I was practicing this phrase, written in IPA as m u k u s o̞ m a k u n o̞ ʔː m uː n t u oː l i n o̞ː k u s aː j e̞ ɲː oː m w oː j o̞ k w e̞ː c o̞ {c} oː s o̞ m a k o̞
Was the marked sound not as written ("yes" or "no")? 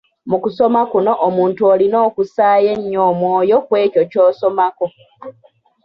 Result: no